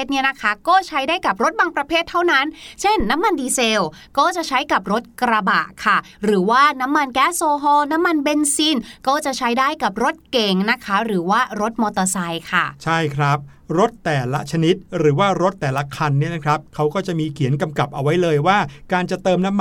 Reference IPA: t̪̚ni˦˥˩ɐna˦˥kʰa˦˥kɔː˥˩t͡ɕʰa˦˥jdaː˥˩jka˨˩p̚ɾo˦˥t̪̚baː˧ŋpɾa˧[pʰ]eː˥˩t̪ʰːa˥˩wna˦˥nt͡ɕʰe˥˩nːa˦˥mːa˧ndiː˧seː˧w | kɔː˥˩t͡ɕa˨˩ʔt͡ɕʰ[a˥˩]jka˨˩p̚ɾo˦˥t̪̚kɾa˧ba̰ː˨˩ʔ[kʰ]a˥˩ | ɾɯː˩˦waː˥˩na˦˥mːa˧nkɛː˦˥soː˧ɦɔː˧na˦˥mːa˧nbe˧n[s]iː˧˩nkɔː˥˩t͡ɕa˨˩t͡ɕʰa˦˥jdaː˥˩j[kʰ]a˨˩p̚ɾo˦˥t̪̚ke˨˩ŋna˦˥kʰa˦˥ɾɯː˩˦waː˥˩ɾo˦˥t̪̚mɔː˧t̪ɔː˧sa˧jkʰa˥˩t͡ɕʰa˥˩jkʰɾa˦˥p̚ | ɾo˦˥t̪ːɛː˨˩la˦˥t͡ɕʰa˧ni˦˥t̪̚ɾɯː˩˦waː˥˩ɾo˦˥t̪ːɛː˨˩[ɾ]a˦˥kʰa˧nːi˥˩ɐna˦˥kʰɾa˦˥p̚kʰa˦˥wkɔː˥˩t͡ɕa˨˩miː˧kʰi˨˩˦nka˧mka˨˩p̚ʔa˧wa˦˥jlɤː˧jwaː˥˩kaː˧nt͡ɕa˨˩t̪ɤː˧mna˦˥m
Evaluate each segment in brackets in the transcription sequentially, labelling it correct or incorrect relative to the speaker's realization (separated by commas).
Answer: correct, incorrect, correct, correct, incorrect, incorrect